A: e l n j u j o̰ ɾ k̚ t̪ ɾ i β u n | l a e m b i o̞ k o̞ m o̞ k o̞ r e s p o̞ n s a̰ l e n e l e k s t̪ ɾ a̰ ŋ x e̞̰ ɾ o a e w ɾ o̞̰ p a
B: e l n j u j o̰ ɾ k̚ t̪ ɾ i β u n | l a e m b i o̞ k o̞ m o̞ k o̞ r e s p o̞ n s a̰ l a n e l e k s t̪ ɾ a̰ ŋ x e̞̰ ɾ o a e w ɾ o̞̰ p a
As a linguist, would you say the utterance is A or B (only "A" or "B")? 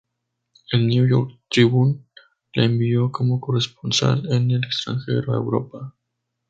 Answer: A